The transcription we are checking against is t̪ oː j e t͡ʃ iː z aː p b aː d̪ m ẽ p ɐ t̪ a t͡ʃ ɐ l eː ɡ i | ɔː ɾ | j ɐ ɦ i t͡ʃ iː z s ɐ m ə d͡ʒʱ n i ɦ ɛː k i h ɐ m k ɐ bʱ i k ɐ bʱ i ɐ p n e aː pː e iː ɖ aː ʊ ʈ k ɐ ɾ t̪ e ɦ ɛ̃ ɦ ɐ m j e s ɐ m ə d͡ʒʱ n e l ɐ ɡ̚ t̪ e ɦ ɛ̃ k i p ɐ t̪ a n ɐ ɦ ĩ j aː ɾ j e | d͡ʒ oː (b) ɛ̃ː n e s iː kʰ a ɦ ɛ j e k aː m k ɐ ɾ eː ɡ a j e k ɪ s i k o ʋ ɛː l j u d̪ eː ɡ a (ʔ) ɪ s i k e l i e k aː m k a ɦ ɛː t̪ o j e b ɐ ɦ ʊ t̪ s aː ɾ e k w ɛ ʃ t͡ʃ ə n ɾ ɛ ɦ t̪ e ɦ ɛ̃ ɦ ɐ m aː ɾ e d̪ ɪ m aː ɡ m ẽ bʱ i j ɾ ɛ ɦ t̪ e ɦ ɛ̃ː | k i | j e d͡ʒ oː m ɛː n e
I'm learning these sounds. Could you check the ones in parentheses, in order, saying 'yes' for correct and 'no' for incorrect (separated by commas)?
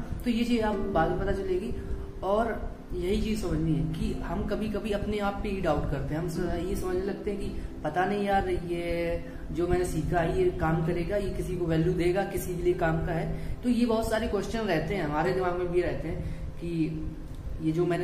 no, no